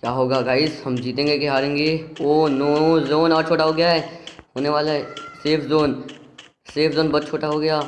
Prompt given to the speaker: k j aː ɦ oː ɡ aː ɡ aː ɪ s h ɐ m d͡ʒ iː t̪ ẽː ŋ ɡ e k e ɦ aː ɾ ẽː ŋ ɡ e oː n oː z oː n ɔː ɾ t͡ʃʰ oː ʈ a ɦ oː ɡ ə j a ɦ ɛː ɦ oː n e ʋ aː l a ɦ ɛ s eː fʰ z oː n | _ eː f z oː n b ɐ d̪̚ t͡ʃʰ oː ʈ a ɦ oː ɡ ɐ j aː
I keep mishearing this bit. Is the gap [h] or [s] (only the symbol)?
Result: s